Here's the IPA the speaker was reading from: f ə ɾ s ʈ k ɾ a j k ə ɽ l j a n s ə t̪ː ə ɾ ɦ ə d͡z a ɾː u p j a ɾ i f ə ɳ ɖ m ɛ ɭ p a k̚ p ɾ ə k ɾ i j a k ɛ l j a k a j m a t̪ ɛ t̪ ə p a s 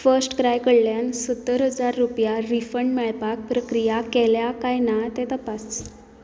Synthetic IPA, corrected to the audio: f ə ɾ s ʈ k ɾ a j k ə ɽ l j a n s ə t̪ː ə ɾ ɦ ə d͡z a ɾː u p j a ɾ i f ə ɳ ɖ m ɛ ɭ p a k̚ p ɾ ə k ɾ i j a k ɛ l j a k a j n a t̪ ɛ t̪ ə p a s